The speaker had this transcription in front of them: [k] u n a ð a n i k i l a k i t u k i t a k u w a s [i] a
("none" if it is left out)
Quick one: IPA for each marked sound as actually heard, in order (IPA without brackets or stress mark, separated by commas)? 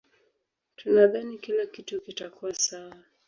t, a